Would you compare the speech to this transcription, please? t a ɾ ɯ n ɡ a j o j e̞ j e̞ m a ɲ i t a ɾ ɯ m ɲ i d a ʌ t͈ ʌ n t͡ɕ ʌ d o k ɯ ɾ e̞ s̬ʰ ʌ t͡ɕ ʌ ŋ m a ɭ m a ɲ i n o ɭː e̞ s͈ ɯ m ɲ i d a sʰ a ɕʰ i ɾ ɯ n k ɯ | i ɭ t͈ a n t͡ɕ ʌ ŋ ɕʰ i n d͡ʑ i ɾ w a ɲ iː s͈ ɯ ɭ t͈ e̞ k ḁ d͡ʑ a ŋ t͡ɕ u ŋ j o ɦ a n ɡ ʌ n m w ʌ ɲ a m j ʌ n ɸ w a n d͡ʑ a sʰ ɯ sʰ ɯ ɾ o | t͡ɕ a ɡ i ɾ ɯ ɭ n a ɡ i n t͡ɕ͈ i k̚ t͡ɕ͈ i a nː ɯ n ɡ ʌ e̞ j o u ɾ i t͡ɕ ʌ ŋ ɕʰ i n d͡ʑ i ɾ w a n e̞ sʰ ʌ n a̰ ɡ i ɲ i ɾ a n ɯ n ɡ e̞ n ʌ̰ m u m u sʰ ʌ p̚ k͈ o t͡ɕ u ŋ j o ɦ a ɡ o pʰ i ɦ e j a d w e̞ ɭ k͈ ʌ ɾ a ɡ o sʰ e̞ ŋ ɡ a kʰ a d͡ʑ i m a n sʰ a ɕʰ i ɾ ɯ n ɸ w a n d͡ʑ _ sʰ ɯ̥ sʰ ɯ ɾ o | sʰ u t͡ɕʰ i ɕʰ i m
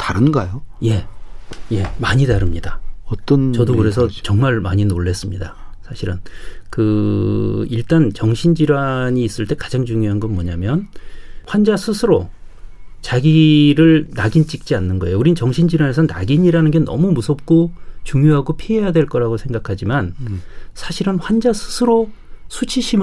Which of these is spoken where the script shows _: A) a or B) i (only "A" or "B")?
A